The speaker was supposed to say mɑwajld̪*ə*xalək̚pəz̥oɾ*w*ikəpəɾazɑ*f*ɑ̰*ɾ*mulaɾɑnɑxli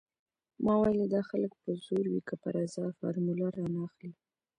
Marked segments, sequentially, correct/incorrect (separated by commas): incorrect, correct, correct, correct